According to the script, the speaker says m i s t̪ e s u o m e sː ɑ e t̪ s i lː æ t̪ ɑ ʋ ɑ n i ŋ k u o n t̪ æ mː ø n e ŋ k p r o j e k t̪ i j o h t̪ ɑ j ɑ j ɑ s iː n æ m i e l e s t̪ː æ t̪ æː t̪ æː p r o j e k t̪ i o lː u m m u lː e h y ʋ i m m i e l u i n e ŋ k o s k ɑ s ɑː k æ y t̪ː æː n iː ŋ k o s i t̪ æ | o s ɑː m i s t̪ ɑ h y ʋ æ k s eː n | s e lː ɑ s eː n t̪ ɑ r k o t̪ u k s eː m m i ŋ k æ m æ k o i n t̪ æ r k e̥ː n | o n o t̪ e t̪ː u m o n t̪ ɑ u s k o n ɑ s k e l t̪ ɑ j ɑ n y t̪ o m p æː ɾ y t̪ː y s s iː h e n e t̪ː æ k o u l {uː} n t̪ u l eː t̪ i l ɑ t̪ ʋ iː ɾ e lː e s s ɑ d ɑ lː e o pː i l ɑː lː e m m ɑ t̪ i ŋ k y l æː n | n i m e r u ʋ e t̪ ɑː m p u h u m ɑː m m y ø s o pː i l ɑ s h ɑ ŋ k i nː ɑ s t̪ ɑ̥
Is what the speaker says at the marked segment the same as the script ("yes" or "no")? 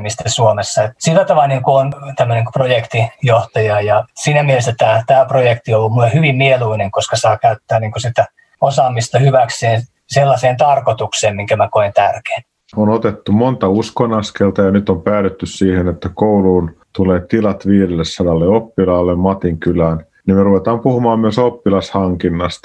yes